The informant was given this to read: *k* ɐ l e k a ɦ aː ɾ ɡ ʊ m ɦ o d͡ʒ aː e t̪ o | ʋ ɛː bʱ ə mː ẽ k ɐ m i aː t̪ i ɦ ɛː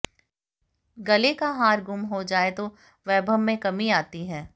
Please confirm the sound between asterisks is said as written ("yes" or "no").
no